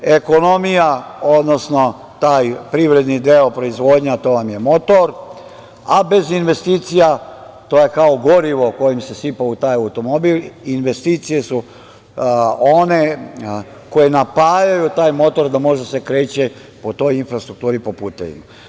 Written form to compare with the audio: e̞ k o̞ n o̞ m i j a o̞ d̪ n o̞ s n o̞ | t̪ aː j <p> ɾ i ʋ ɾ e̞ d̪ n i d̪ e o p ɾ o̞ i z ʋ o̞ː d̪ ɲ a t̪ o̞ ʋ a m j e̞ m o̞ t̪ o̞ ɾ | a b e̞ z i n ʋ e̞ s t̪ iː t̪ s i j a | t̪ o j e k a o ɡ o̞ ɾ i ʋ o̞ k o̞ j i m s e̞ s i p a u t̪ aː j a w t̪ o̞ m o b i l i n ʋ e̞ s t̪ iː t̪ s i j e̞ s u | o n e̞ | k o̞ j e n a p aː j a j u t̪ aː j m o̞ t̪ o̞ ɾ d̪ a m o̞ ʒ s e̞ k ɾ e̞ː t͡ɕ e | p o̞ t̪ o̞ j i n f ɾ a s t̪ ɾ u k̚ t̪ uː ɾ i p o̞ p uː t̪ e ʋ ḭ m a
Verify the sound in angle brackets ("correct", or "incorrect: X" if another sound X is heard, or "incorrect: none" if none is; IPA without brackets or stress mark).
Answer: correct